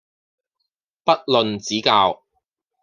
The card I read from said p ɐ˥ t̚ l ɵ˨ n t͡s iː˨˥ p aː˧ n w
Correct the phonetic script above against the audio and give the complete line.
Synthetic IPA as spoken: p ɐ˥ t̚ l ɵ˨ n t͡s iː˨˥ k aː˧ w